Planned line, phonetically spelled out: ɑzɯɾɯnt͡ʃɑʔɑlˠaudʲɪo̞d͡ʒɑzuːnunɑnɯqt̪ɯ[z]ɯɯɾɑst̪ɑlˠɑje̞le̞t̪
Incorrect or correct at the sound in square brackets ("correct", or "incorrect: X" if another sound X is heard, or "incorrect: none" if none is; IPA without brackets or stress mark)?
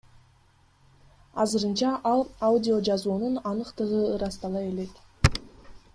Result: incorrect: ʁ